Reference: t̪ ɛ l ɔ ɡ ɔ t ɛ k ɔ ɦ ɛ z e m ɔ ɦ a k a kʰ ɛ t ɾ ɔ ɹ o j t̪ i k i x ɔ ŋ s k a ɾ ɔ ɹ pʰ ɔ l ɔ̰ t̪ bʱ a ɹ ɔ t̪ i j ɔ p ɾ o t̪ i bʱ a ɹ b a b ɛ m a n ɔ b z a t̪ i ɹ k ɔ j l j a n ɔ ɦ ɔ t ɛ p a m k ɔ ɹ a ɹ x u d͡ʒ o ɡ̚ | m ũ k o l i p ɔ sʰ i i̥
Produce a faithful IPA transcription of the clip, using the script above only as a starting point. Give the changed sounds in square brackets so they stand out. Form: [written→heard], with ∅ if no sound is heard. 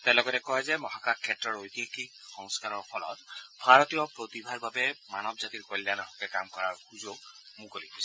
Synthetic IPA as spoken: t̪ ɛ l ɔ ɡ ɔ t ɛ k ɔ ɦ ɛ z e m ɔ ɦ a k a kʰ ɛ t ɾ ɔ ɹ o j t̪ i k i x ɔ ŋ s k a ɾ ɔ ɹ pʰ ɔ l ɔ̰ t̪ bʱ a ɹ ɔ t̪ i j ɔ p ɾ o t̪ i bʱ a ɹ b a b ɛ m a n ɔ b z a t̪ i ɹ k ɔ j l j a n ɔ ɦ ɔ [t→k] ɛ [p→k] a m k ɔ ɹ a ɹ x u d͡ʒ o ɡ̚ | m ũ k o l i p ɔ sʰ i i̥